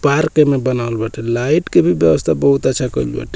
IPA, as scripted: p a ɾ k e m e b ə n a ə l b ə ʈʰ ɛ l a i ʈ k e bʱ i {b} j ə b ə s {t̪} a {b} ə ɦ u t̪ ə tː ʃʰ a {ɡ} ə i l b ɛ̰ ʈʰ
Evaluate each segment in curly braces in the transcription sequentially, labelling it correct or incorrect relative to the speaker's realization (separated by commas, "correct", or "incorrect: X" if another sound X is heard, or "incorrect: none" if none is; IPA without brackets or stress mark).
correct, incorrect: t̪ʰ, correct, incorrect: k